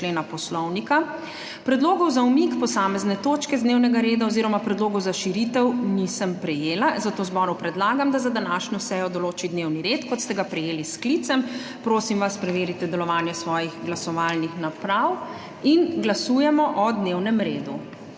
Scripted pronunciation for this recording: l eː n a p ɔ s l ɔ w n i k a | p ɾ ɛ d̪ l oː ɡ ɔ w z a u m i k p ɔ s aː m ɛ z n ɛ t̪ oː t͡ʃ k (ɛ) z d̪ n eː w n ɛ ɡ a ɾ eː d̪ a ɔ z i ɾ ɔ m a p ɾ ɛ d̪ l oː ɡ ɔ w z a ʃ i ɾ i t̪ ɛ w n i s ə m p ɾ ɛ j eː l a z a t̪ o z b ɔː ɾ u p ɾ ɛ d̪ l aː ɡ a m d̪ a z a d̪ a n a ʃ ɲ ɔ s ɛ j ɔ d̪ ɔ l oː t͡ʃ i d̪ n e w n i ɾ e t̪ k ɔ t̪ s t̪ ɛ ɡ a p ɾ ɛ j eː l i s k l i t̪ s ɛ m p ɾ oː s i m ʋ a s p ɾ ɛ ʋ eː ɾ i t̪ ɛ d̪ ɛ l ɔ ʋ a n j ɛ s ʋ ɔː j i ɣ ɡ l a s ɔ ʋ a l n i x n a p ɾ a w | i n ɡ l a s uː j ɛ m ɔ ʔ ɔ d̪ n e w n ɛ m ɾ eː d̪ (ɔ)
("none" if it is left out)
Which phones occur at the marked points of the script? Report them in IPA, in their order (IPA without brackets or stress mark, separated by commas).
ɛ, u